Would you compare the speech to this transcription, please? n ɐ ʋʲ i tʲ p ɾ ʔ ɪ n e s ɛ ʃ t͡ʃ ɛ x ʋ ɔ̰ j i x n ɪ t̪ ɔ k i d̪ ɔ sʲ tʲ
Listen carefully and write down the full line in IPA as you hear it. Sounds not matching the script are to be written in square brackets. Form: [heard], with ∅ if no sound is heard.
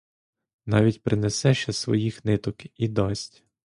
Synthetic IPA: n [ɑ] ʋʲ i tʲ p ɾ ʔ ɪ n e s ɛ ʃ t͡ʃ ɛ [s] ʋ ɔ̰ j i x n ɪ t̪ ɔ k i d̪ ɔ sʲ tʲ